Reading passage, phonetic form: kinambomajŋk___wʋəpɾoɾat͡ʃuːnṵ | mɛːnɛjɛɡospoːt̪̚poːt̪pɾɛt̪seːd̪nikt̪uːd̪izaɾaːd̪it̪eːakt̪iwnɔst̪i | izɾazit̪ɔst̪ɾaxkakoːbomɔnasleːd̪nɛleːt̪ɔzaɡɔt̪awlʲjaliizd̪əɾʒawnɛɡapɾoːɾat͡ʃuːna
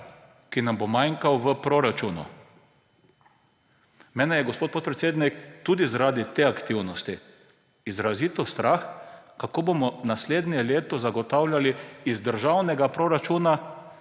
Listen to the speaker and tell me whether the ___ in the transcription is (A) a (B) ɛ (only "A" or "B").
A